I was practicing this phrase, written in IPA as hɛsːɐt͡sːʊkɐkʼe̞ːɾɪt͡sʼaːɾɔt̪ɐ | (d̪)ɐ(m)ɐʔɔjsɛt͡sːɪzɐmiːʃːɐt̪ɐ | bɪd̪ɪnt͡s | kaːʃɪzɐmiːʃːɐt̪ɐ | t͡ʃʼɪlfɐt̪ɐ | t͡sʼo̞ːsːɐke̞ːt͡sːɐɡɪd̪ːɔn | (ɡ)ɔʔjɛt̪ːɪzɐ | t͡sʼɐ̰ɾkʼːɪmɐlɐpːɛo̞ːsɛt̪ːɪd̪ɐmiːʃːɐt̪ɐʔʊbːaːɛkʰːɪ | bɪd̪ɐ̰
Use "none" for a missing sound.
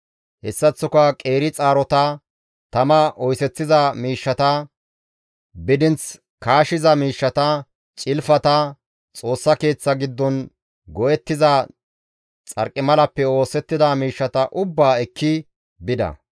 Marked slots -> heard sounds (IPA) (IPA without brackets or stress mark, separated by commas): t̪, m, ɡ